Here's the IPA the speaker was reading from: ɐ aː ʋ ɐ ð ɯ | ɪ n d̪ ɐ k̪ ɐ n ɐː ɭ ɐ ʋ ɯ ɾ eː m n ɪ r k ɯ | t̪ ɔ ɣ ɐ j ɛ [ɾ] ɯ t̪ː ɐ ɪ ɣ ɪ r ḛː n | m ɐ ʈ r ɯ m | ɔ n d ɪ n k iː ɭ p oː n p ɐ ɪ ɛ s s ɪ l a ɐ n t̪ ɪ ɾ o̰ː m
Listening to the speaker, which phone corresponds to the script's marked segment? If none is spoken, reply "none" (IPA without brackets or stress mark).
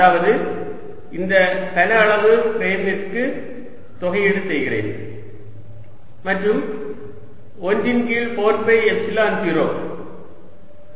ɽ